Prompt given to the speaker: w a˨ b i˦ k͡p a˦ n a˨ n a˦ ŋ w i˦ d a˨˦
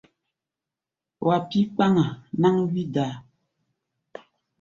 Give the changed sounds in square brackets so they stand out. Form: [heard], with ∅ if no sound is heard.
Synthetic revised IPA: w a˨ [p] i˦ k͡p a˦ [ŋ] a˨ n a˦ ŋ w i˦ d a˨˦